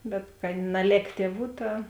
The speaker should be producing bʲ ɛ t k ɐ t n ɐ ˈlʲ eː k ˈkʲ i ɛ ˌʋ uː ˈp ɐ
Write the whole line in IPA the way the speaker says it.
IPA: bʲ ɛ t k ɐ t n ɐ ˈlʲ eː k ˈtʲ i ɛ ˌʋ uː ˈt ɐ

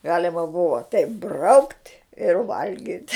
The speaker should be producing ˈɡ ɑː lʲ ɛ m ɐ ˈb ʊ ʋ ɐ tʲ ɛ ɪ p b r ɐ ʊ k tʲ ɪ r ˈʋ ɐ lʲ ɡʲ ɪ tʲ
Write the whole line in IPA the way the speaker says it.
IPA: ˈɡ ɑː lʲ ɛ m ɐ ˈb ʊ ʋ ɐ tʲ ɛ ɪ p b r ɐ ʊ k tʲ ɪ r ˈʋ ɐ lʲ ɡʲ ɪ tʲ

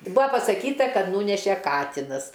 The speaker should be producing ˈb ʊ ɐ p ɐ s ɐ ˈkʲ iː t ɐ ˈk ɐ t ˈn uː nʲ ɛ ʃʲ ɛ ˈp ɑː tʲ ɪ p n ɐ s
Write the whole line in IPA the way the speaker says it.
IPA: ˈb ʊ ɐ p ɐ s ɐ ˈkʲ iː t ɐ ˈk ɐ t ˈn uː nʲ ɛ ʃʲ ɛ ˈk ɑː tʲ ɪ n ɐ s

